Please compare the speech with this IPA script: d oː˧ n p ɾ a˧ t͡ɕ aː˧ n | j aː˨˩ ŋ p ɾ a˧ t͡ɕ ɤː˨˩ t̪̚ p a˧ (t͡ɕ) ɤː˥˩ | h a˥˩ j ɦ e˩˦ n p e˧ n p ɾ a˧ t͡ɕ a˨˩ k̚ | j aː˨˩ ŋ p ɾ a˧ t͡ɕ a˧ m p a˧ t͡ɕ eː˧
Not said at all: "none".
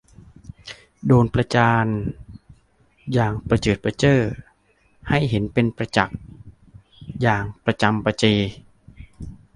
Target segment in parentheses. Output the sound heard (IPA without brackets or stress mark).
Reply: t͡ɕ